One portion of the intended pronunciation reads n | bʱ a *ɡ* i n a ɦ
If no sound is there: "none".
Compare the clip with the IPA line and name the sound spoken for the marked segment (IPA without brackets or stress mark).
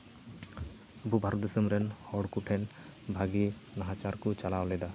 ɡ